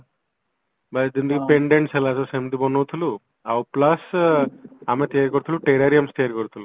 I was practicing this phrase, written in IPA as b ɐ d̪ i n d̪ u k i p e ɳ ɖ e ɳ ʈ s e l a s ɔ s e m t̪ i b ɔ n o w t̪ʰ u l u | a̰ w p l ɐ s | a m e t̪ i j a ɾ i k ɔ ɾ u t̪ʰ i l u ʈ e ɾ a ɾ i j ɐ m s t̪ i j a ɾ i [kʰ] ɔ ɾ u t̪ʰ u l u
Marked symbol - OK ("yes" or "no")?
no